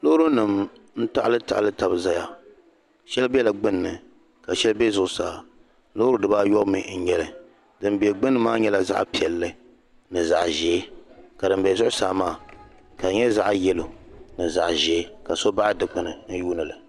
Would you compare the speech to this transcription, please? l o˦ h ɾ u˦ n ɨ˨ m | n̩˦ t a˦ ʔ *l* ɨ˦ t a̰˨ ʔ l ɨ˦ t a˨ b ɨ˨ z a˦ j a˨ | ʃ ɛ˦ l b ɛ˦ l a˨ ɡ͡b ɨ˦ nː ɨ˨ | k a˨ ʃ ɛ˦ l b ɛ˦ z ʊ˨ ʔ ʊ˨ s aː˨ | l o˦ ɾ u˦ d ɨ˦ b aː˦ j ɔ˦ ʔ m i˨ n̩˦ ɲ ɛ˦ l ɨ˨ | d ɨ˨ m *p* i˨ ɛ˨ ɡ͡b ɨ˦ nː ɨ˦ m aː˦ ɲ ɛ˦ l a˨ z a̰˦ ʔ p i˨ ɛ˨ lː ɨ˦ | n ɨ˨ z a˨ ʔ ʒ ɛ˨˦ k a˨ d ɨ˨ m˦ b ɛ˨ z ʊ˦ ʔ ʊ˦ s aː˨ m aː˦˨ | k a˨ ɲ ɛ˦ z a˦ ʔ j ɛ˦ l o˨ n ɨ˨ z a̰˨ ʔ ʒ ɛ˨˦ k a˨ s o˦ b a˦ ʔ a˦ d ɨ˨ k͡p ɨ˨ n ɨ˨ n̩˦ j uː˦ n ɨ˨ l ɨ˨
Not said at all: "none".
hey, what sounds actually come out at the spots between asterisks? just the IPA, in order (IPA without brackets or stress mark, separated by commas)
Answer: l, b